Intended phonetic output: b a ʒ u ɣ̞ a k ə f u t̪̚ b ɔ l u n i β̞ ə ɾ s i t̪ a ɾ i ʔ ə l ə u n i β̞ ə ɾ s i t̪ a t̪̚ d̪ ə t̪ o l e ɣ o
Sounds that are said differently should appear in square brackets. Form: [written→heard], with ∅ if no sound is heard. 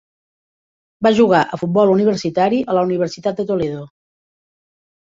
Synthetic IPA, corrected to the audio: b a ʒ u ɣ̞ a [k→ʔ] ə f u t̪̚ b ɔ l u n i β̞ ə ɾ s i t̪ a ɾ i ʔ ə l ə u n i β̞ ə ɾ s i t̪ a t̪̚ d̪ ə t̪ o l e [ɣ→ð] o